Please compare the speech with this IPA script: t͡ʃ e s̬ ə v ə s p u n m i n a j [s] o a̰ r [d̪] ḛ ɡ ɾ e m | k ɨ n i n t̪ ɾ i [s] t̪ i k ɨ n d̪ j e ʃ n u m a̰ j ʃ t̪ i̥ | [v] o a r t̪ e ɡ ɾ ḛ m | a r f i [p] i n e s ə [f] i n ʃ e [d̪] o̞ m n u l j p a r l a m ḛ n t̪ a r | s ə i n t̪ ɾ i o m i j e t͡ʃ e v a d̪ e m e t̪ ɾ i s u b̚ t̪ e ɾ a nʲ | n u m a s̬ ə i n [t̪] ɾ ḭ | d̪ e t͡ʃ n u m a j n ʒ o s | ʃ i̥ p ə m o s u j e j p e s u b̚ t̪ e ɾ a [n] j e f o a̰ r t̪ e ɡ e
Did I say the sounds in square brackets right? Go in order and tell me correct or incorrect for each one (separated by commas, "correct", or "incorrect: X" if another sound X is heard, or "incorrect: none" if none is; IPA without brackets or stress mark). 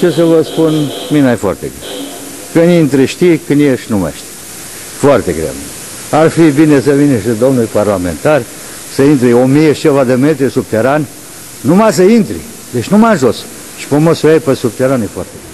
incorrect: f, incorrect: t̪, incorrect: ʃ, incorrect: f, incorrect: b, incorrect: v, correct, correct, correct